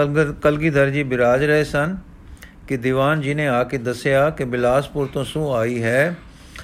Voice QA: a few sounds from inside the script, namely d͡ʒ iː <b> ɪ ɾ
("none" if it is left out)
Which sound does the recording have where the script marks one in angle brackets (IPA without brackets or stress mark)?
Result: b